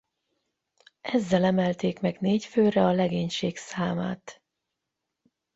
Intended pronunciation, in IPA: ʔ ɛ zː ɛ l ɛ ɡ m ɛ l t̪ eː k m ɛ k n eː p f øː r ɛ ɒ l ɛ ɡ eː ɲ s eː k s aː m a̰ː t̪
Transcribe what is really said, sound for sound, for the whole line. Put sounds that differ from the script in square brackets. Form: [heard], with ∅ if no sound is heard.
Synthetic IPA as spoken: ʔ ɛ zː ɛ l ɛ [∅] m ɛ l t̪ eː k m ɛ [ɡ] n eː [c] f øː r ɛ ɒ l ɛ ɡ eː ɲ [ʃ] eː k s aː m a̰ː t̪

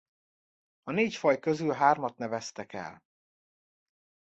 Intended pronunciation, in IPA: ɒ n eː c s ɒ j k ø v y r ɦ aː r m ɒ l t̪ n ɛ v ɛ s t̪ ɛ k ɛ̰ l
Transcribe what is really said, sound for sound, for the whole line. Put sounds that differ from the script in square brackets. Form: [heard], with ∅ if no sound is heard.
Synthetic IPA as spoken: ɒ n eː c [f] ɒ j k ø [z] y [l] ɦ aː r m ɒ [∅] t̪ n ɛ v ɛ s t̪ ɛ k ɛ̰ l

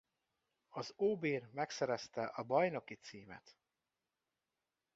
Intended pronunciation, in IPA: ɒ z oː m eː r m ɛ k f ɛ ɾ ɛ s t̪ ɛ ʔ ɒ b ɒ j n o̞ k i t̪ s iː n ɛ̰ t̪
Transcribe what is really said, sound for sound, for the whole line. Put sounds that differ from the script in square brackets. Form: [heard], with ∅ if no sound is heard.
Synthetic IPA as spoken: ɒ z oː [b] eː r m ɛ k [s] ɛ ɾ ɛ s t̪ ɛ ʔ ɒ b ɒ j n o̞ k i t̪ s iː [m] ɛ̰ t̪

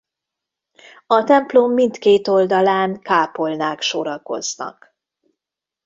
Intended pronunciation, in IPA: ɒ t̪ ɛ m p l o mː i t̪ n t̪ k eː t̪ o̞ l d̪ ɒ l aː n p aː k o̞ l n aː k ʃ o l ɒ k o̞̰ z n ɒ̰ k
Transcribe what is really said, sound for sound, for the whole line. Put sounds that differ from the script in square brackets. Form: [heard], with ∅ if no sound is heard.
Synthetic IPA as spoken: ɒ t̪ ɛ m p l o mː i [∅] n t̪ k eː t̪ o̞ l d̪ ɒ l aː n [k] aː [p] o̞ l n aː k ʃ o [ɾ] ɒ k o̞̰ z n ɒ̰ k

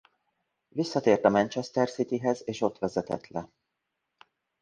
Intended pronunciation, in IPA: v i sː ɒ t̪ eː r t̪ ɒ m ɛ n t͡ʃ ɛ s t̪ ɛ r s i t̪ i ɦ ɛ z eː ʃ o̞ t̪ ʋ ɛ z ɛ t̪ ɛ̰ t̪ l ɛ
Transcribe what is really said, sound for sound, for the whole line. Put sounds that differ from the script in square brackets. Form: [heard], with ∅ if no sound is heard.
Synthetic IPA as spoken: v i sː ɒ t̪ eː r t̪ ɒ m ɛ n t͡ʃ ɛ s t̪ ɛ r s i t̪ i ɦ ɛ z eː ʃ o̞ t̪ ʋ ɛ z ɛ t̪ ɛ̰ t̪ l ɛ

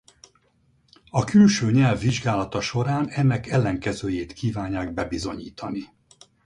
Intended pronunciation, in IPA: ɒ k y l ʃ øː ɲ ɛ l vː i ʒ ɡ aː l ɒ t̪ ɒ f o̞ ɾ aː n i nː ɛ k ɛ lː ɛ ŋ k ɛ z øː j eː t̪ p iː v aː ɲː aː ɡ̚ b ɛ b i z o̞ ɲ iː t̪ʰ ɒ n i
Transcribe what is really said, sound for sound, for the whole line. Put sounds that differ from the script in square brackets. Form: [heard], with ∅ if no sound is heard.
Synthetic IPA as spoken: ɒ k y l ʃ øː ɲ ɛ l vː i ʒ ɡ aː l ɒ t̪ ɒ [ʃ] o̞ ɾ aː n [ɛ] nː ɛ k ɛ lː ɛ ŋ k ɛ z øː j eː t̪ [k] iː v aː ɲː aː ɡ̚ b ɛ b i z o̞ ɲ iː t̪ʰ ɒ n i

